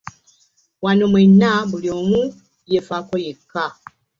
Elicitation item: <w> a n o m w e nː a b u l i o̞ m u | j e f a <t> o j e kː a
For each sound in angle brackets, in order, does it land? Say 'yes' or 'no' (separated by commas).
yes, no